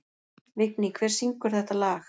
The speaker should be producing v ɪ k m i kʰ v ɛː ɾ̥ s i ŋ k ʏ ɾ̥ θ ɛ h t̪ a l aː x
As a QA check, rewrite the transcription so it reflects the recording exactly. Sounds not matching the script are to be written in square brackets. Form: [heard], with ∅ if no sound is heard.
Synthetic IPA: v ɪ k [n] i kʰ v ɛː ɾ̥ s i ŋ k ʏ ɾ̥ θ ɛ h t̪ a l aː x

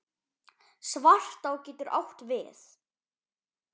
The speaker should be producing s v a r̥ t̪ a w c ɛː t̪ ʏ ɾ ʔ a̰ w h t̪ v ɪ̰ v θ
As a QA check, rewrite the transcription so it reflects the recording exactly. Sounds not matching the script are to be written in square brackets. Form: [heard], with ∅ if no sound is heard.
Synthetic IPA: s v a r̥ t̪ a w c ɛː t̪ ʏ ɾ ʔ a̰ w h t̪ v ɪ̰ [∅] θ

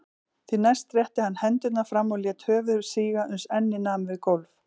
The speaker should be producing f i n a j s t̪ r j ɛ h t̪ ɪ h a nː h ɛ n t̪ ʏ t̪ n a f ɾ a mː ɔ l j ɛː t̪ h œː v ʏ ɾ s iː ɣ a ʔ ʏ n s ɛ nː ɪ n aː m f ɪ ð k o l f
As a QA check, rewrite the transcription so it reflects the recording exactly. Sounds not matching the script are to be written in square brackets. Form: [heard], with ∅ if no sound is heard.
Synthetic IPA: [θ] i n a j s t̪ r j ɛ h t̪ ɪ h a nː h ɛ n t̪ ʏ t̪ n a f ɾ a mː ɔ l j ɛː t̪ h œː v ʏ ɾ s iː ɣ a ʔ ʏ n s ɛ nː ɪ n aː m [v] ɪ ð k o l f

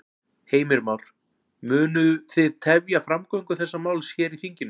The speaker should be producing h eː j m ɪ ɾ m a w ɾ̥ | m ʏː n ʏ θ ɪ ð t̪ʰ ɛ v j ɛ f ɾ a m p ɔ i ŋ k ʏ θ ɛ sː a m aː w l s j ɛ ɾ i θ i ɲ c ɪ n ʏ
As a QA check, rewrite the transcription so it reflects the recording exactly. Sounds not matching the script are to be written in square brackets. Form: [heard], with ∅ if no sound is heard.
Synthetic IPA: h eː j m ɪ ɾ m a w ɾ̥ | m ʏː n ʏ θ ɪ ð t̪ʰ ɛ v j [a] f ɾ a m [k] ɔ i ŋ k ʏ θ ɛ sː a m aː w l s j ɛ ɾ i θ i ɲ c ɪ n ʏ

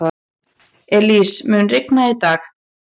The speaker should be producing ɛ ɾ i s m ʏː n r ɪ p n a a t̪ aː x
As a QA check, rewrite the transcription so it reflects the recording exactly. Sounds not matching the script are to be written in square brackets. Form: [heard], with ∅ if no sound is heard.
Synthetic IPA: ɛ [l] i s m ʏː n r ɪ [k] n a [i] t̪ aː x

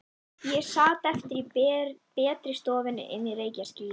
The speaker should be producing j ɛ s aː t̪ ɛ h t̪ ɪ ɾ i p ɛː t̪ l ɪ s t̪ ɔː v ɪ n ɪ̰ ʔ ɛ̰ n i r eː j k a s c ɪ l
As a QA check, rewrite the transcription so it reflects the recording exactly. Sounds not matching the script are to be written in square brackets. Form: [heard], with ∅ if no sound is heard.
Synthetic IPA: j ɛ s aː t̪ ɛ [f] t̪ ɪ ɾ i p ɛː t̪ [ɾ] ɪ s t̪ ɔː v ɪ n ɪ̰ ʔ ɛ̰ n i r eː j [c] a s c ɪ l

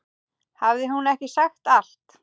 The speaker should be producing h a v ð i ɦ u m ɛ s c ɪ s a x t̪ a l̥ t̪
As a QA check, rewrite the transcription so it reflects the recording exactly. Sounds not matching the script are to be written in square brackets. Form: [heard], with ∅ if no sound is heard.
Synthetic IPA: h a v ð [ɪ] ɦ u [n] ɛ [h] c ɪ s a x t̪ a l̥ t̪

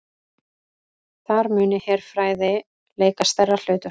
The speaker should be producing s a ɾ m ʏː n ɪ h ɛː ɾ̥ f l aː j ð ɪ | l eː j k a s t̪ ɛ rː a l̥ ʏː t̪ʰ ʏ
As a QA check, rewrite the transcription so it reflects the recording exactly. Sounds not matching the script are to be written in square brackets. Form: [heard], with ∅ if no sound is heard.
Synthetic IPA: [θ] a ɾ m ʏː n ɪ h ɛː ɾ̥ f [ɾ] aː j ð ɪ | l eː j k a s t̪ ɛ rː a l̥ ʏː [t̪] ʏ

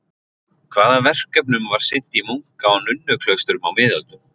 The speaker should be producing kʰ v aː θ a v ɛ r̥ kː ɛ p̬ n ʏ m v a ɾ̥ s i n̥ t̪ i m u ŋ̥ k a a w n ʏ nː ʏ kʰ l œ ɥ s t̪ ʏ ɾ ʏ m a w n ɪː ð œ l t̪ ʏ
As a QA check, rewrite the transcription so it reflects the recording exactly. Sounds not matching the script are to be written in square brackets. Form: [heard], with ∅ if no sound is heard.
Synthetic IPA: kʰ v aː [ð] a v ɛ r̥ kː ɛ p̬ n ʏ m v a ɾ̥ s [ɪ] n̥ t̪ i m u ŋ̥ k a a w n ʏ nː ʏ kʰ l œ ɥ s t̪ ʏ ɾ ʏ m a w [m] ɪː ð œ l t̪ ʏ

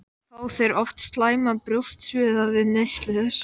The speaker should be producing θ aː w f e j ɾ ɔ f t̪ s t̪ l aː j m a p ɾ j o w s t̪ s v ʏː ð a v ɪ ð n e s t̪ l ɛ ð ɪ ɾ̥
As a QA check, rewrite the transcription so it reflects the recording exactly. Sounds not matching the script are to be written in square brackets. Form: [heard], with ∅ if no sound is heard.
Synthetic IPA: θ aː w [θ] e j ɾ ɔ f t̪ s t̪ l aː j m a p ɾ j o w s t̪ s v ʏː ð a v ɪ ð n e s t̪ l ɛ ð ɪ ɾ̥

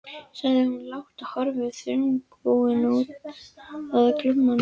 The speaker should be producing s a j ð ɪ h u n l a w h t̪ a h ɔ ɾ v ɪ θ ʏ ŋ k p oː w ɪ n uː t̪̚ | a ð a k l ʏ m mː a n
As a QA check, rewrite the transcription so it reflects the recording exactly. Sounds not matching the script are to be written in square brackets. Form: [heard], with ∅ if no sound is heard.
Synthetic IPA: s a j ð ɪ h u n l a w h t̪ a h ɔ ɾ v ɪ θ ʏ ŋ k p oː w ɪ n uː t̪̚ | a ð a k l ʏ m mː a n

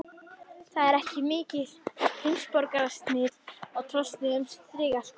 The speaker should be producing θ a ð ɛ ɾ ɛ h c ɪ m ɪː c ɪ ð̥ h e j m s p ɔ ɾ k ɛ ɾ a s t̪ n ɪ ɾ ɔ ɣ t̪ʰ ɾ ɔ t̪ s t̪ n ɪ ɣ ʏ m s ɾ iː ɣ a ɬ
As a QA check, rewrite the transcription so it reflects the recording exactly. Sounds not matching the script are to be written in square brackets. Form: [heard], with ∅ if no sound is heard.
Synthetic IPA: θ a ð ɛ ɾ ɛ h c ɪ m ɪː c ɪ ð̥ h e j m s p ɔ ɾ k [a] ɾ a s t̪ n ɪ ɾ ɔ ɣ t̪ʰ ɾ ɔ [∅] s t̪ n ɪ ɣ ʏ m s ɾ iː ɣ a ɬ

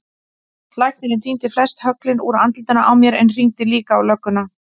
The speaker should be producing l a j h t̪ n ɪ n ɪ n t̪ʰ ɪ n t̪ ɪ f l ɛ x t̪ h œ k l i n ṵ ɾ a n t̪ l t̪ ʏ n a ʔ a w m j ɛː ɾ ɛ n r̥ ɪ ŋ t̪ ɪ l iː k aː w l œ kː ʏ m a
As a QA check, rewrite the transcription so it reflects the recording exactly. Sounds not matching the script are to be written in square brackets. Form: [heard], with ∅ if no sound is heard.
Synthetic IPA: l a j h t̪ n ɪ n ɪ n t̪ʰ [i] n t̪ ɪ f l ɛ [s] t̪ h œ k l [ɪ] n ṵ ɾ a n t̪ l t̪ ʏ n a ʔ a w m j [ɛ] ɾ ɛ n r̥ [i] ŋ t̪ ɪ l iː k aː w l œ kː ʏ [n] a

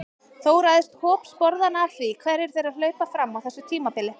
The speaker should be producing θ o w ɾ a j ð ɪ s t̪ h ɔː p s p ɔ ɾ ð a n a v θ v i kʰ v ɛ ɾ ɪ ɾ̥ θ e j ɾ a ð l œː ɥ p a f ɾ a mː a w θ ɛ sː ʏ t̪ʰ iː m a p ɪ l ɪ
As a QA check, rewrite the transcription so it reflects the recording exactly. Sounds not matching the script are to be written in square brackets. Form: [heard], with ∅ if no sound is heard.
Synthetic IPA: θ o w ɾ a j ð ɪ s t̪ h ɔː p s p ɔ ɾ ð a n a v θ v i kʰ v ɛ ɾ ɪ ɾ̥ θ e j ɾ a ð l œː ɥ p a f ɾ a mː a w θ ɛ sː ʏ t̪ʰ iː m a p ɪ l ɪ

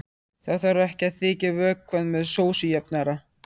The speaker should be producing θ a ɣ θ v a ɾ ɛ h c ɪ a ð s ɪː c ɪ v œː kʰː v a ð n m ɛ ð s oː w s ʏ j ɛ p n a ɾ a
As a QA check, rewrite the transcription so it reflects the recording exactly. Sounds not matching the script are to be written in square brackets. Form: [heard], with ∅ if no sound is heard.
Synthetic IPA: θ a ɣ θ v a ɾ ɛ h c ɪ a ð [θ] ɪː c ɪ v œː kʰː v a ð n m ɛ ð s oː w s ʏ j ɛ p n a ɾ a

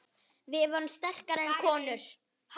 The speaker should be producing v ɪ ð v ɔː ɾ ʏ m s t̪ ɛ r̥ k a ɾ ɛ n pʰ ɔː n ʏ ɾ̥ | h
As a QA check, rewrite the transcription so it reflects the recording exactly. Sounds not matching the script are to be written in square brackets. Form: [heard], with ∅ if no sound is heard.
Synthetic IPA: v ɪ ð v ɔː ɾ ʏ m s t̪ ɛ r̥ k a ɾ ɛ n [kʰ] ɔː n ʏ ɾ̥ | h

